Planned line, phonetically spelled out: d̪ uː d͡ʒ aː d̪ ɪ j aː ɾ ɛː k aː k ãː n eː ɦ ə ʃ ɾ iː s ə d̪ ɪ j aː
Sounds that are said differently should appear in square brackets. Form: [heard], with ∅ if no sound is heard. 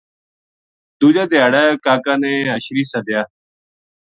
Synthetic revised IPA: d̪ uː d͡ʒ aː d̪ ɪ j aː [ɽ] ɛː k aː k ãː n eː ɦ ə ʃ ɾ iː s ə d̪ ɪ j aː